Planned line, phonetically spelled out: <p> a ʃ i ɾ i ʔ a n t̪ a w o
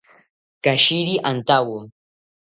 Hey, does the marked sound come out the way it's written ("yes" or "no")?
no